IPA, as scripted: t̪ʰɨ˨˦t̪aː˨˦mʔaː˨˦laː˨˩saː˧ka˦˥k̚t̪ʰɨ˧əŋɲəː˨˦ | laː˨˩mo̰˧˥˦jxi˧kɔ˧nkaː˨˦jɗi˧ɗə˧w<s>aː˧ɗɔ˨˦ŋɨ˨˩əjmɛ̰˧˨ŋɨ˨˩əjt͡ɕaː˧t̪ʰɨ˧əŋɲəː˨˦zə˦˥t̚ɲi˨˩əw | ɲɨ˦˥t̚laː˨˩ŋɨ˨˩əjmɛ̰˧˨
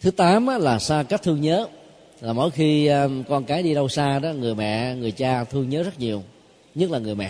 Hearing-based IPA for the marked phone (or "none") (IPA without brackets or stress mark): s